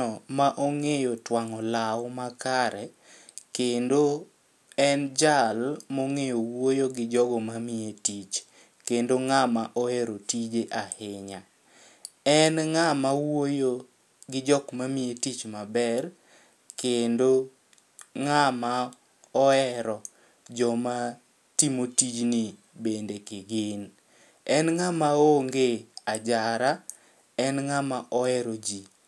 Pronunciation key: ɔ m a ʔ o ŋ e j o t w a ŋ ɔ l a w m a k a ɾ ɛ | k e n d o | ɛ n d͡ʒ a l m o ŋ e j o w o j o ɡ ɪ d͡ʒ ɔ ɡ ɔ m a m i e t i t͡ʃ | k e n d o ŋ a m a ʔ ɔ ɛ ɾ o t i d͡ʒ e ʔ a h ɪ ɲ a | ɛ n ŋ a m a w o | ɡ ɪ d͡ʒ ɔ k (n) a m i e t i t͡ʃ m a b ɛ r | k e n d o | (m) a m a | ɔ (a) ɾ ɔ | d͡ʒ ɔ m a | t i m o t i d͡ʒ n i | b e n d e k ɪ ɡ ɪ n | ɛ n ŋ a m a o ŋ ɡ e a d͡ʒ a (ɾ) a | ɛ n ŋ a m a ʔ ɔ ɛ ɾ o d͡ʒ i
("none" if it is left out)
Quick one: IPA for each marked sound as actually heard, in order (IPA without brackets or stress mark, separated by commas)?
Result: m, ŋ, ɛ, ɾ